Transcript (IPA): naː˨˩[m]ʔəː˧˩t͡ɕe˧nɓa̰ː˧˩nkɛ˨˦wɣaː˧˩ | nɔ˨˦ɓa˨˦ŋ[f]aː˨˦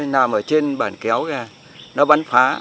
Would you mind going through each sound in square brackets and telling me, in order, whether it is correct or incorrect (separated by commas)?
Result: correct, correct